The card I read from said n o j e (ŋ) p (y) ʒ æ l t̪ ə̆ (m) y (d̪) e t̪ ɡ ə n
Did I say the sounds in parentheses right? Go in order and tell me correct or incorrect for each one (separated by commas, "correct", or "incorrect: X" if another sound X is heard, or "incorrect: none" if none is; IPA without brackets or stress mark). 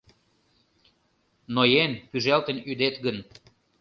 incorrect: n, correct, incorrect: n, correct